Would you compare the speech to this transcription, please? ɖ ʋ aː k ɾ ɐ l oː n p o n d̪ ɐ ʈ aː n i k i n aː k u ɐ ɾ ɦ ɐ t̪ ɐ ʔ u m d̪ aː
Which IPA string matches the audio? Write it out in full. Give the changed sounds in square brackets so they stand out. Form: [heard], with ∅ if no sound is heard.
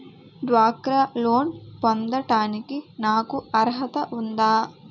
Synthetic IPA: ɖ ʋ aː k ɾ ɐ l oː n p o n d̪ ɐ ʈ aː n i k i n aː k u ɐ ɾ ɦ ɐ t̪ ɐ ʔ u [n] d̪ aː